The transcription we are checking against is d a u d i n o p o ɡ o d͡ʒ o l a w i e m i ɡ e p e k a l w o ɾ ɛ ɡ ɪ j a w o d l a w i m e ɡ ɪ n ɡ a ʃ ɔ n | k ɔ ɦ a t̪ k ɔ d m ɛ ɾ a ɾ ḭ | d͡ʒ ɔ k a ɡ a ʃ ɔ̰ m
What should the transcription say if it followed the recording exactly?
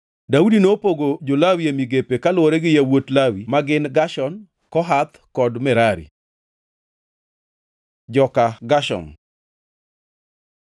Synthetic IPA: d a u d i n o p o ɡ o d͡ʒ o l a w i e m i ɡ e p e k a l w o ɾ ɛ ɡ ɪ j a w o t l a w i m a ɡ ɪ n ɡ a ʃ ɔ n | k ɔ ɦ a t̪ k ɔ d m ɛ ɾ a ɾ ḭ | d͡ʒ ɔ k a ɡ a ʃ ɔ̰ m